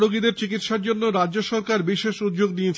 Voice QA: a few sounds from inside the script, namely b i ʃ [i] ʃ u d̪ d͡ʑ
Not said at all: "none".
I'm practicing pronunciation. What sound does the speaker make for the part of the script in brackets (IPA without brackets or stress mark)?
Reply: e